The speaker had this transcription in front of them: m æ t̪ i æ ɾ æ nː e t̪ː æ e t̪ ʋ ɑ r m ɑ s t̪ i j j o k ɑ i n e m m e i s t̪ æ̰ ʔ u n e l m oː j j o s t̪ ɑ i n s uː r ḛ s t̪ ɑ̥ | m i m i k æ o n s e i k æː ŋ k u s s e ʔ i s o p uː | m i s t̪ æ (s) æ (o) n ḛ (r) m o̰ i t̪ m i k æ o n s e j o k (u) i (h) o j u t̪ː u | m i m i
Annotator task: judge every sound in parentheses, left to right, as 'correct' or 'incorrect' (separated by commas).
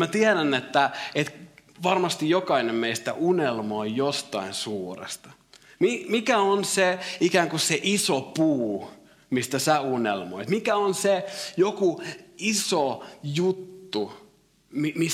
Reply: correct, incorrect, incorrect, correct, incorrect